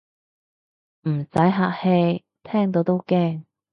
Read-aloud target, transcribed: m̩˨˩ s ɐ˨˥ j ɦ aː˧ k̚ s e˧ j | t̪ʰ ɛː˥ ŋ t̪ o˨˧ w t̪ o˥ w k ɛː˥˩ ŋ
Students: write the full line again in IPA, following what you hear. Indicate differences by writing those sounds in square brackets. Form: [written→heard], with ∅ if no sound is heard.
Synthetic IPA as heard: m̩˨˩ s ɐ˨˥ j ɦ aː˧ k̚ [s→h] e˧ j | t̪ʰ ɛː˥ ŋ t̪ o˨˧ w t̪ o˥ w k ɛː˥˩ ŋ